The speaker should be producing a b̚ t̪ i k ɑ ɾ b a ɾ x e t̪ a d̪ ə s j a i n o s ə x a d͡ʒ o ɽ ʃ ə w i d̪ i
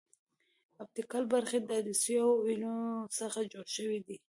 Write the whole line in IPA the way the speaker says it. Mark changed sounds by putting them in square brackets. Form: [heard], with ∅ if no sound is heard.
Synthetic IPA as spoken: a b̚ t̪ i k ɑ [l] b a ɾ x e [d̪] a d̪ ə s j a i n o s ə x a d͡ʒ o ɽ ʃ ə w i d̪ i